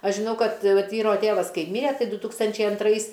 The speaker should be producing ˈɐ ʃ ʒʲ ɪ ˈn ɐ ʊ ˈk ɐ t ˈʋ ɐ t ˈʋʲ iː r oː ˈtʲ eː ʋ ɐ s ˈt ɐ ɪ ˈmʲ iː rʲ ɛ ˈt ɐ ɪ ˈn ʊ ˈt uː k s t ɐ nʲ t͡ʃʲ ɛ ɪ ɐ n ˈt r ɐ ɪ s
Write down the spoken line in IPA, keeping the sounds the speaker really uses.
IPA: ˈɐ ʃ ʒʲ ɪ ˈn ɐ ʊ ˈk ɐ t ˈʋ ɐ t ˈʋʲ iː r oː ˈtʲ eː ʋ ɐ s ˈk ɐ ɪ ˈmʲ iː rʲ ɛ ˈt ɐ ɪ ˈd ʊ ˈt uː k s t ɐ nʲ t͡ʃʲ ɛ ɪ ɐ n ˈt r ɐ ɪ s